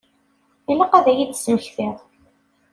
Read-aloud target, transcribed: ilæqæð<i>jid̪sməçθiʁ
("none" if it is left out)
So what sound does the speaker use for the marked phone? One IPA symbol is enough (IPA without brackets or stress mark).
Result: æ